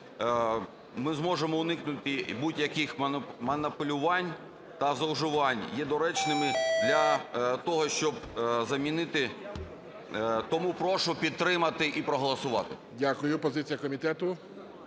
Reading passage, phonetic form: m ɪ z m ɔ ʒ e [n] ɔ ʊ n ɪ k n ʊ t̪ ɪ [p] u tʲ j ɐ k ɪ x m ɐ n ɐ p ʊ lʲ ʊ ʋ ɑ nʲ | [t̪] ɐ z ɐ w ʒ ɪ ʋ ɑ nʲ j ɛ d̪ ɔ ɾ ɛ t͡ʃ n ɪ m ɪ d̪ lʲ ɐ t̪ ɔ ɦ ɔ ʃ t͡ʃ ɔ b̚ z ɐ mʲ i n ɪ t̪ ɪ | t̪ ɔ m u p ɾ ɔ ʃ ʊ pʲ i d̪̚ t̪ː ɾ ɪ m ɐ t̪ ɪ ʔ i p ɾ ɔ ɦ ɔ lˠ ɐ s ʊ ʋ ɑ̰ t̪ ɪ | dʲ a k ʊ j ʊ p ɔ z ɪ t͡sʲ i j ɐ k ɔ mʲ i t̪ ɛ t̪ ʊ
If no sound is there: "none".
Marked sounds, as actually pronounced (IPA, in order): m, b, t̪

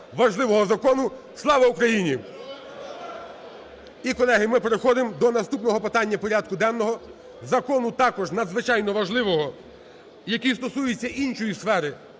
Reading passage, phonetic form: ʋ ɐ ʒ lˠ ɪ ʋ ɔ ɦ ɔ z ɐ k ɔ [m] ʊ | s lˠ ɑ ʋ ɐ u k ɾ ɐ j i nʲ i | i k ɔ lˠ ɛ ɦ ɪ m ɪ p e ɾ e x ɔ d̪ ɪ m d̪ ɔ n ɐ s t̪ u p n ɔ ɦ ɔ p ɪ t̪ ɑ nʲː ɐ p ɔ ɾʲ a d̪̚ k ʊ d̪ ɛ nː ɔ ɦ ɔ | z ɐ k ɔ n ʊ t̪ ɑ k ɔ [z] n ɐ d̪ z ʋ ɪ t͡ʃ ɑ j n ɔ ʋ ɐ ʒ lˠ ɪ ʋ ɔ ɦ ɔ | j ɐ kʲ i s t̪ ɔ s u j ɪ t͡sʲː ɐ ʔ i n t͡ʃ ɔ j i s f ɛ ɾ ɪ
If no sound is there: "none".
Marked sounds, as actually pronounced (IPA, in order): n, ʒ

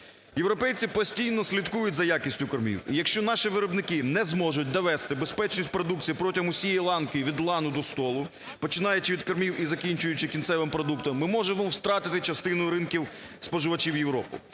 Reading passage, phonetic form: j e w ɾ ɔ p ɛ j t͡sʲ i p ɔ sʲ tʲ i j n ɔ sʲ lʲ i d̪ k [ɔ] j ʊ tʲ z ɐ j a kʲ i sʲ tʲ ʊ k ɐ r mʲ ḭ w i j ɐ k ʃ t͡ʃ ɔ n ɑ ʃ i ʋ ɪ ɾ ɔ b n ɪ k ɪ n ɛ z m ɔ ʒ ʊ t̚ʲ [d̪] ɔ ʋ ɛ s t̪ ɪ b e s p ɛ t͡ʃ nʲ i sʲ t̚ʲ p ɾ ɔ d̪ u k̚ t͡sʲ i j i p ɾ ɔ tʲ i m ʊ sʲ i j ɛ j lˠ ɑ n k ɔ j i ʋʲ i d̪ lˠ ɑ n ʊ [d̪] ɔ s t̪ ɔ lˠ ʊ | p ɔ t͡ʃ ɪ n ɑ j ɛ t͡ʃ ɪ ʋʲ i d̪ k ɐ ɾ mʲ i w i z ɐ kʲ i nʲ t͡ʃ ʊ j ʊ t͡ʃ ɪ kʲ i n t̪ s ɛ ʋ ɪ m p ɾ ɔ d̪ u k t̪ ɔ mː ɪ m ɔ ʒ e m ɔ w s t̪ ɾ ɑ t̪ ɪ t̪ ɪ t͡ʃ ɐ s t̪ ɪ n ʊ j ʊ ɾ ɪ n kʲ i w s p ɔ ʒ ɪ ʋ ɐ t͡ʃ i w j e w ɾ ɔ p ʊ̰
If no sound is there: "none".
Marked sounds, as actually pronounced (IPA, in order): u, d̪, d̪

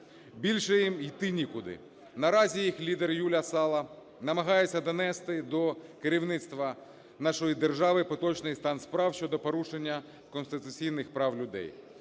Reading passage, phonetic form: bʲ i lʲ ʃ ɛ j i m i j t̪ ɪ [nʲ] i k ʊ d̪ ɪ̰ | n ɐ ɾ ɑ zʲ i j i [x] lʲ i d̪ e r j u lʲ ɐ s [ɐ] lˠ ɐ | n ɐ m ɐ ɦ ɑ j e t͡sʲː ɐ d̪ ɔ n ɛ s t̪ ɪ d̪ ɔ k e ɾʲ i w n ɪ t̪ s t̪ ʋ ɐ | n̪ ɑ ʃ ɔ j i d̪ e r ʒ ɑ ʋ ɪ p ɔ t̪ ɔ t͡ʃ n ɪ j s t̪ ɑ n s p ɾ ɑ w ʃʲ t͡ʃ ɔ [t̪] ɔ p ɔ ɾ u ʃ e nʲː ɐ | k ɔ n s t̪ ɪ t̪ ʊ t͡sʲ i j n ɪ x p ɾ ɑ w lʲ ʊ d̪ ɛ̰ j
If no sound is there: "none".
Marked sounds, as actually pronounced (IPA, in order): nʲ, x, ɑ, d̪

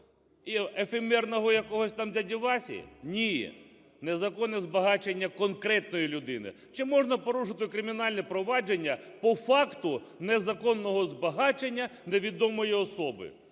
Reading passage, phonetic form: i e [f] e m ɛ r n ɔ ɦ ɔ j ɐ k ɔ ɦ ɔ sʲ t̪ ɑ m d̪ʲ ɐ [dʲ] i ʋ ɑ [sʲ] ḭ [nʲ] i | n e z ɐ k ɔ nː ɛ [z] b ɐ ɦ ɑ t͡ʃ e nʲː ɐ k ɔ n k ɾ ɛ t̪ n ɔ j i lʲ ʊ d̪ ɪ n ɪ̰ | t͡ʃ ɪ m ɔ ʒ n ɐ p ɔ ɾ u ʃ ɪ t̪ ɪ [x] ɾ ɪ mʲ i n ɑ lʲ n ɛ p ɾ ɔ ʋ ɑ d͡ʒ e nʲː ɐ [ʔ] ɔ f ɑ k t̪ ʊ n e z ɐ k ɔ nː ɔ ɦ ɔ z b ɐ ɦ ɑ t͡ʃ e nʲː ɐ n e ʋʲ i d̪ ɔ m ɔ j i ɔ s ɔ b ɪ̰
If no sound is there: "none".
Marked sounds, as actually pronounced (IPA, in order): f, dʲ, sʲ, nʲ, z, k, p

